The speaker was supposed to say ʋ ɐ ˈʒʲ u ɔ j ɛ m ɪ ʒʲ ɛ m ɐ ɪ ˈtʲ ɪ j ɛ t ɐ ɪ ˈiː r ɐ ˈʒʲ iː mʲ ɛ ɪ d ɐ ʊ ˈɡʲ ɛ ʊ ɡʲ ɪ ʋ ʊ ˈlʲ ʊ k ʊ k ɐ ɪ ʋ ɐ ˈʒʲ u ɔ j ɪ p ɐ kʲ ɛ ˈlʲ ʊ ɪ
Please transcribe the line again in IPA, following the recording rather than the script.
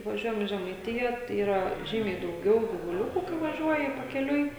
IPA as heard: ʋ ɐ ˈʒʲ u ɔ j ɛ m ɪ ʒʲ ɛ m ɐ ɪ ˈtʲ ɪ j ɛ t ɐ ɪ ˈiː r ɐ ˈʒʲ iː mʲ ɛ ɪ d ɐ ʊ ˈɡʲ ɛ ʊ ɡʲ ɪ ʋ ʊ ˈlʲ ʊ k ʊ k ɐ ɪ ʋ ɐ ˈʒʲ u ɔ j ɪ p ɐ kʲ ɛ ˈlʲ ʊ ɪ